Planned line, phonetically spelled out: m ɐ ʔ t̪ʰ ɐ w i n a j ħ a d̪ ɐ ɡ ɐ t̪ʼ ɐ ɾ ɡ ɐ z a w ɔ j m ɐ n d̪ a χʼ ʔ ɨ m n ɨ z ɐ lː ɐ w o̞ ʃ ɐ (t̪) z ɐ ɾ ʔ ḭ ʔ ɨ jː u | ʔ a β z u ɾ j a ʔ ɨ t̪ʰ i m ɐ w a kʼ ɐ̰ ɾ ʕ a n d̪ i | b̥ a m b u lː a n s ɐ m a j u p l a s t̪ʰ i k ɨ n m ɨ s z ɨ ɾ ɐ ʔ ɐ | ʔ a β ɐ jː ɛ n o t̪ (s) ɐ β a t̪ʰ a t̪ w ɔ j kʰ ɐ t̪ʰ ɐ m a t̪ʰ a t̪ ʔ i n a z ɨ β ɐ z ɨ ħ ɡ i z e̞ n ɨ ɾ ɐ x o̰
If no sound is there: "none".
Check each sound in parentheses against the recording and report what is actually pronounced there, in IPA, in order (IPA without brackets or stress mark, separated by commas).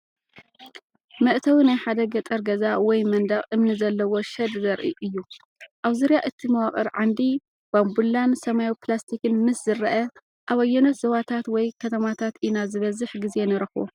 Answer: d̪, z